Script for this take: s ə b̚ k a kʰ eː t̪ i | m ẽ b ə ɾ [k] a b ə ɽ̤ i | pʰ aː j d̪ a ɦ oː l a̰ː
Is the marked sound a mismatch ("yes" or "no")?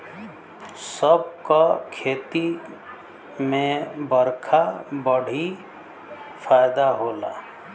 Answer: yes